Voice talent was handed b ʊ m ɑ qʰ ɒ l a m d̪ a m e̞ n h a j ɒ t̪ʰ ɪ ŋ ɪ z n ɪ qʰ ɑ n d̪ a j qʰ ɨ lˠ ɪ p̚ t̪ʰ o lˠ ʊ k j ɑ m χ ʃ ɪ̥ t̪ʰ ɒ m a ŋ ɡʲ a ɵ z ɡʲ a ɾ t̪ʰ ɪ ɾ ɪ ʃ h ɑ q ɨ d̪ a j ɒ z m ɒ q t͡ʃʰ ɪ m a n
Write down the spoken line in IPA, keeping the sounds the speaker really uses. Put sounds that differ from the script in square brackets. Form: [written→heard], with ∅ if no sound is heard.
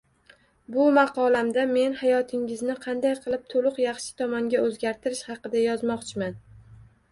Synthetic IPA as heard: b ʊ m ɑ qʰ ɒ l a m d̪ a m e̞ n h a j ɒ t̪ʰ ɪ ŋ ɪ z n ɪ qʰ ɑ n d̪ a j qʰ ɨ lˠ ɪ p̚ t̪ʰ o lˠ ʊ [k→q] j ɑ [m→∅] χ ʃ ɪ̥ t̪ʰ ɒ m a ŋ ɡʲ a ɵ z ɡʲ a ɾ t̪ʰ ɪ ɾ ɪ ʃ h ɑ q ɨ d̪ a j ɒ z m ɒ q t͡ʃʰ ɪ m a n